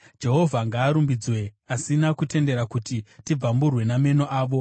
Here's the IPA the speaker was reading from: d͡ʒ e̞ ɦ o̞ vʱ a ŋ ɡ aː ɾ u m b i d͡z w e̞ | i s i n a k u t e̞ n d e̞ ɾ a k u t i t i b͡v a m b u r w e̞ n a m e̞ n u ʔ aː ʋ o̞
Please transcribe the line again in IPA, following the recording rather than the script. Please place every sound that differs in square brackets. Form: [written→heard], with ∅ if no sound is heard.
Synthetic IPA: d͡ʒ e̞ ɦ o̞ vʱ a ŋ ɡ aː ɾ u m b i d͡z w e̞ | [i→a] s i n a k u t e̞ n d e̞ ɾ a k u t i t i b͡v a m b u r w e̞ n a m e̞ n [u→o] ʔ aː ʋ o̞